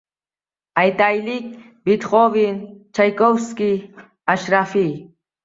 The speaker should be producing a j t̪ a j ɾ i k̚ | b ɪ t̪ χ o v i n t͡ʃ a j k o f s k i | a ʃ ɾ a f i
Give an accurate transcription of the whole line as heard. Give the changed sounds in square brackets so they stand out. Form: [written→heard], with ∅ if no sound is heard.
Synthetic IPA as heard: a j t̪ a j [ɾ→l] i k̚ | b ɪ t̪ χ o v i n t͡ʃ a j k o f s k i | a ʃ ɾ a f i